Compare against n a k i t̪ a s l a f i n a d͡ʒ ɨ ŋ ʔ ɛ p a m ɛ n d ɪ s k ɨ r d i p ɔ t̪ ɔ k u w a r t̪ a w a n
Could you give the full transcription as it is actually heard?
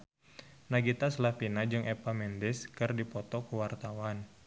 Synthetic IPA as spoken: n a ɡ i t̪ a s l a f i n a d͡ʒ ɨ ŋ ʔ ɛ p a m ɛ n d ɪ s k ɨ r d i p ɔ t̪ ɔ k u w a r t̪ a w a n